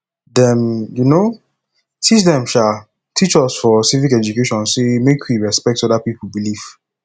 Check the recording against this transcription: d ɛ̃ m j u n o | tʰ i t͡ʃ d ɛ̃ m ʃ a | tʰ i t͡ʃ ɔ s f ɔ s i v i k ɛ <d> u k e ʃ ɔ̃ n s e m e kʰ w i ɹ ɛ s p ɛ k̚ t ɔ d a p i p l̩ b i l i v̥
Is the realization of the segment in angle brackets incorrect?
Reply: yes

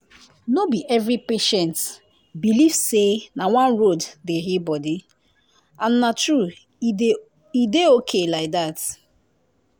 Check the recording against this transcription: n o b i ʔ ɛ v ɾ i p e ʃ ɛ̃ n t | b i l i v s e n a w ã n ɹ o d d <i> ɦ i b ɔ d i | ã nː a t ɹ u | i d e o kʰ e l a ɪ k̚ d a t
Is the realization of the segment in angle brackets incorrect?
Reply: yes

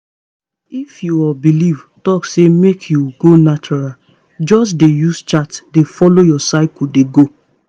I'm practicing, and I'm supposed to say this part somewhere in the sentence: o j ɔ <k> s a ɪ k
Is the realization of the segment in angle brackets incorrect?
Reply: yes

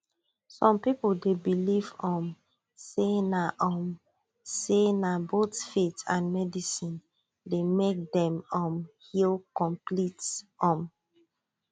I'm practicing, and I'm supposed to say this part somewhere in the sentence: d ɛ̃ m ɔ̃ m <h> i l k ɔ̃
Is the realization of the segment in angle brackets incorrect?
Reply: no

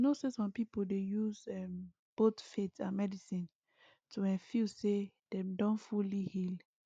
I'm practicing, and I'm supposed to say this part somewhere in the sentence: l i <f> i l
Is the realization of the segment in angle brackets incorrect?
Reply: yes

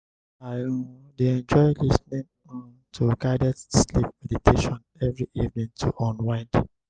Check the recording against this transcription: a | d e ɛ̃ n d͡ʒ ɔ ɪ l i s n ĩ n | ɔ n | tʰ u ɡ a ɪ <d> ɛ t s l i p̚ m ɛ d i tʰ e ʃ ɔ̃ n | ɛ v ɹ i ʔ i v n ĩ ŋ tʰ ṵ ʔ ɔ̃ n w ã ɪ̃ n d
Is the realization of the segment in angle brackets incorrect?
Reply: no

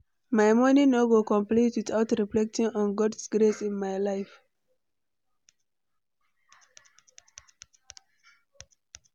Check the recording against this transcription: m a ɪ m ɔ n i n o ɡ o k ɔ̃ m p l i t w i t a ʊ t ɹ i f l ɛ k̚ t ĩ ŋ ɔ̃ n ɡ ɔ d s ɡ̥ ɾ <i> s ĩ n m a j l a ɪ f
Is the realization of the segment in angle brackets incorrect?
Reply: yes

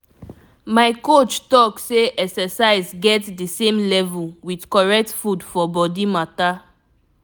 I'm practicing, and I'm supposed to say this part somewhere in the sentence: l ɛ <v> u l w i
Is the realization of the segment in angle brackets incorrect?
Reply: no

